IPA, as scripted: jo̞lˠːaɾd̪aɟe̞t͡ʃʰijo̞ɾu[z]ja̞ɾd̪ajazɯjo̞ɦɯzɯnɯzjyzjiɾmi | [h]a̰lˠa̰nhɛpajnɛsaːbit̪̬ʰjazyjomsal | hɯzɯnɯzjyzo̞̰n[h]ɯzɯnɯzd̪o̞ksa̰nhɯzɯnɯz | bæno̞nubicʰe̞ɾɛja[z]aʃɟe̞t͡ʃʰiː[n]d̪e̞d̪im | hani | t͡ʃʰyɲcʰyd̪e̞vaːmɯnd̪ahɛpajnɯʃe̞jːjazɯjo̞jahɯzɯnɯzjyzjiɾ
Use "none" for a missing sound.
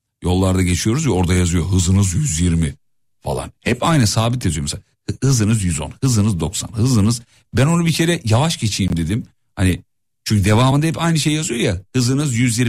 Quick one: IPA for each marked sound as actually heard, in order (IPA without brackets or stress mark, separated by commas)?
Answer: z, f, h, v, m